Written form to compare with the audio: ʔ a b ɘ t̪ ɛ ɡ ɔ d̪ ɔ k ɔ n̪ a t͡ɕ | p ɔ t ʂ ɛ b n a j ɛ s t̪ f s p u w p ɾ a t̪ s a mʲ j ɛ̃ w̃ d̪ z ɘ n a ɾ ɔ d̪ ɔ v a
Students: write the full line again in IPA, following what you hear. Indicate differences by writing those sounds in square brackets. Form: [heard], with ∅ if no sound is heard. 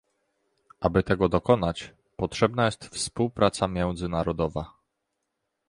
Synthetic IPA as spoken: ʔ a b ɘ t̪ ɛ ɡ ɔ d̪ ɔ k ɔ n̪ a t͡ɕ | p ɔ t ʂ ɛ b n a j ɛ s t̪ f s p u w p ɾ a t̪ s a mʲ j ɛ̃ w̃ d̪ z ɘ n a ɾ ɔ d̪ ɔ v a